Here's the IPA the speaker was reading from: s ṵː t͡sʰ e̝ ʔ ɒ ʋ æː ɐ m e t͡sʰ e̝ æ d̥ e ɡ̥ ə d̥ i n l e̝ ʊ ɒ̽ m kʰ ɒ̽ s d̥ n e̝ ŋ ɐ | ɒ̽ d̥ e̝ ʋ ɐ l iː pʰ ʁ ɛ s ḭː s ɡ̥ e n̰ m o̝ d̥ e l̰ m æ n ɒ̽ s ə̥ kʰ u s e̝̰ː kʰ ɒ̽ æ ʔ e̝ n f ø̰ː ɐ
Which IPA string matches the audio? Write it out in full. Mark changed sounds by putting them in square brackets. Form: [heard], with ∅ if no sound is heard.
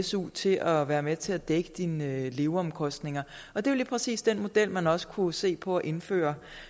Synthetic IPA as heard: s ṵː t͡sʰ e̝ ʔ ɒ ʋ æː ɐ m e t͡sʰ e̝ æ d̥ e ɡ̥ ə d̥ i n l e̝ ʊ ɒ̽ m kʰ ɒ̽ s d̥ n e̝ ŋ ɐ | ɒ̽ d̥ e̝ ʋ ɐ l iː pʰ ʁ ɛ s ḭː s [d̥] e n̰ m o̝ d̥ e l̰ m æ n ɒ̽ s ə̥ kʰ u s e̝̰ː [pʰ] ɒ̽ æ ʔ e̝ n f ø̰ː ɐ